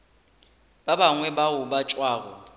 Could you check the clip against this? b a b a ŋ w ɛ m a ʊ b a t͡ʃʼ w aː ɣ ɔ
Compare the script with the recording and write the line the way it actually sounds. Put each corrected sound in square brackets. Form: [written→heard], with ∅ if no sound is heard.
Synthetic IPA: b a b a ŋ w ɛ [m→b] a ʊ b a t͡ʃʼ w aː ɣ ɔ